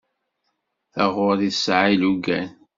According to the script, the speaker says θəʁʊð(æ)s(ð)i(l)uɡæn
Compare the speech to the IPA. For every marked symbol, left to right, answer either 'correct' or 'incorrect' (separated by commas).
incorrect, incorrect, correct